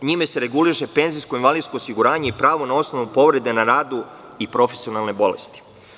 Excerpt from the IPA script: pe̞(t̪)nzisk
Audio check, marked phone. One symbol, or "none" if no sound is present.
none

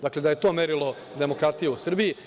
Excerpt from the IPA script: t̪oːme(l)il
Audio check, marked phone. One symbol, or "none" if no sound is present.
ɾ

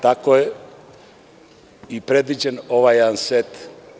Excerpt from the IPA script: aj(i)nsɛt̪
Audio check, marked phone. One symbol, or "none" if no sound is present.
a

